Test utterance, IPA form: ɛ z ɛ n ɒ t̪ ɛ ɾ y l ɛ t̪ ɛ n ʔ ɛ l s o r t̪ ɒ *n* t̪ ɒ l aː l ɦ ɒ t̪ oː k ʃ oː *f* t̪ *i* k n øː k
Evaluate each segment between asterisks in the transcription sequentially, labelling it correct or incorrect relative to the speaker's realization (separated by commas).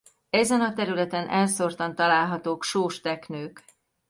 correct, incorrect, incorrect